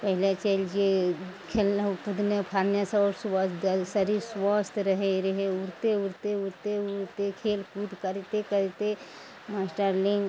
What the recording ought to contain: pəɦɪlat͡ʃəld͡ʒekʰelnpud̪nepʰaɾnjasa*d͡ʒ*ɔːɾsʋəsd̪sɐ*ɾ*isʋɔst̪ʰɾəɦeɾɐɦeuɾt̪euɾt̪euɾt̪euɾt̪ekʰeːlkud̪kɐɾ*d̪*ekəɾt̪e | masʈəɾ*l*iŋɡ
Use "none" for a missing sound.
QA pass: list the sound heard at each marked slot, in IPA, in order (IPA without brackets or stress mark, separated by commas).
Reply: none, ɾ, t̪, l